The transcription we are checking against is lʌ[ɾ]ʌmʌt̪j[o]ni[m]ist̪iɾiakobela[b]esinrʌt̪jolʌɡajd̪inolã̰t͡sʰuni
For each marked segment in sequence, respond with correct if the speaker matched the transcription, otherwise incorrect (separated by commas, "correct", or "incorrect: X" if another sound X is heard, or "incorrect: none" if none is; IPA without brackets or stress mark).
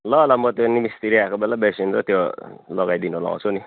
incorrect: l, correct, correct, correct